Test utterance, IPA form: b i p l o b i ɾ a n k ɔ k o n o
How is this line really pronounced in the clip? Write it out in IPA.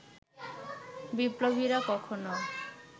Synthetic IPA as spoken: b i p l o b i ɾ a k ɔ kʰ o n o